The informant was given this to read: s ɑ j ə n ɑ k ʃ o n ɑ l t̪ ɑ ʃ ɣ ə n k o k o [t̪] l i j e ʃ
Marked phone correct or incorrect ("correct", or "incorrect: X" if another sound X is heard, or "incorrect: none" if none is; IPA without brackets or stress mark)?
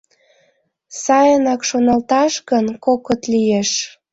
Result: correct